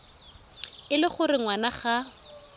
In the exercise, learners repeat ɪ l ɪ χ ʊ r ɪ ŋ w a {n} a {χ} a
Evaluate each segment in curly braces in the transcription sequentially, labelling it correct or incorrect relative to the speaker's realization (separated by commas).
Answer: correct, correct